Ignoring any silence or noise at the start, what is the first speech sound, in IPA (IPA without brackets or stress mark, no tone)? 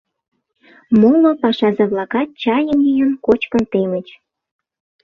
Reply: m